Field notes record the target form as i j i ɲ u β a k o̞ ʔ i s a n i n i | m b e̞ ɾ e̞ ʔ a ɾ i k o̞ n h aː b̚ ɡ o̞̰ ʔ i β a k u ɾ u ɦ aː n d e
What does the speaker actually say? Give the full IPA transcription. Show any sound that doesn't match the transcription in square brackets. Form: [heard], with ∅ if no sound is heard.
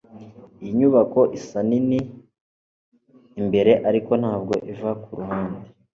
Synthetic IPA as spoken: i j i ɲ u β a k o̞ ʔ i s a n i n i | m b e̞ ɾ e̞ ʔ a ɾ i k o̞ n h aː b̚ ɡ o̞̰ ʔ i [v] a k u ɾ u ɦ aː n d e